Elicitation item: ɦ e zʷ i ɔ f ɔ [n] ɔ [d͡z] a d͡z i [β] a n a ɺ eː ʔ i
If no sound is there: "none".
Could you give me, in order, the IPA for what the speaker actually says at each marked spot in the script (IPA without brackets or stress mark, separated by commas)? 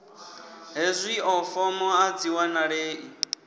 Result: m, none, w